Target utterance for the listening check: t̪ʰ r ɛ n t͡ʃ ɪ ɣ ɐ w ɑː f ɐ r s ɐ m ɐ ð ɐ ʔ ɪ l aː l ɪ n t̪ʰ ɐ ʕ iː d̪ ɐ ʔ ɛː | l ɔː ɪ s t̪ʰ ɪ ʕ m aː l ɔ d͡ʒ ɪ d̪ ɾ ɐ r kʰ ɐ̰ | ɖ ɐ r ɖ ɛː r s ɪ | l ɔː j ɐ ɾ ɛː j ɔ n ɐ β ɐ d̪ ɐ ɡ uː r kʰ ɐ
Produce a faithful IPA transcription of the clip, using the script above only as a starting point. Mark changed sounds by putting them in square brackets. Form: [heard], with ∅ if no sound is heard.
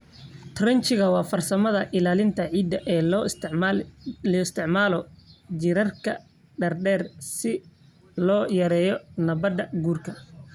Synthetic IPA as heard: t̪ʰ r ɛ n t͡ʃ ɪ ɣ ɐ w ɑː f ɐ r s ɐ m ɐ ð ɐ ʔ ɪ l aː l ɪ n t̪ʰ ɐ ʕ iː d̪ ɐ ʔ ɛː | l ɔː ɪ s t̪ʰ ɪ ʕ m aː l ɔ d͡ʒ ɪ [∅] ɾ ɐ r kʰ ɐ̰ | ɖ ɐ r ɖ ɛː r s ɪ | l ɔː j ɐ ɾ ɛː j ɔ n ɐ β ɐ d̪ ɐ ɡ uː r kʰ ɐ